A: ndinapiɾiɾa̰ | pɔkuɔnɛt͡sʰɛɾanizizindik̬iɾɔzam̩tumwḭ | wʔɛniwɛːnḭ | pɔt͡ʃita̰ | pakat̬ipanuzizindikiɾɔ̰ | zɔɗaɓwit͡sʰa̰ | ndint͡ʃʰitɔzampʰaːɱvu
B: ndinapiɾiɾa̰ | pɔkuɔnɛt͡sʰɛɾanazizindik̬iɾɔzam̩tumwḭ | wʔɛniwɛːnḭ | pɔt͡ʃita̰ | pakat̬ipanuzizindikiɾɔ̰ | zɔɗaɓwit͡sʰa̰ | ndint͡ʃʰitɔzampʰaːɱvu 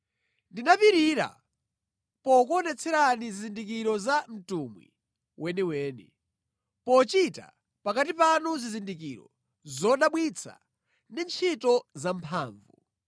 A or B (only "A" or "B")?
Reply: A